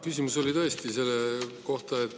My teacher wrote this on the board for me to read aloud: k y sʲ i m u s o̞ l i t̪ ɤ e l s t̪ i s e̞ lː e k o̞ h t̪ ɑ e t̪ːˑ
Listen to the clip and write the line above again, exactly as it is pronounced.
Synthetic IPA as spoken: k y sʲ i m u s o̞ l i t̪ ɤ e s t̪ i s e̞ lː e k o̞ h t̪ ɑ e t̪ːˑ